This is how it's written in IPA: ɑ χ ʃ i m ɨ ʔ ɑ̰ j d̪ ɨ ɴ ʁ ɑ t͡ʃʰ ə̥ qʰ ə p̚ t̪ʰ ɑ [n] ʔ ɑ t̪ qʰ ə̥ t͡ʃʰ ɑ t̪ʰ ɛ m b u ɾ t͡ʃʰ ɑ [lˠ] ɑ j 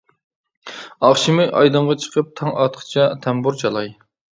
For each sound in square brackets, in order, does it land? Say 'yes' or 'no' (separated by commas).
no, yes